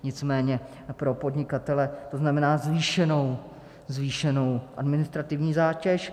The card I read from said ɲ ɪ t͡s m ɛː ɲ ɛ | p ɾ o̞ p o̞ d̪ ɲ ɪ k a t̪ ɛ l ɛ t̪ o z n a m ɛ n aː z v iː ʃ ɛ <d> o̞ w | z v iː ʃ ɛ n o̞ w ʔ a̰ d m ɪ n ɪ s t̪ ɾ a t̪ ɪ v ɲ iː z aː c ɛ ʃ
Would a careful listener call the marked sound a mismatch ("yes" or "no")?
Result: yes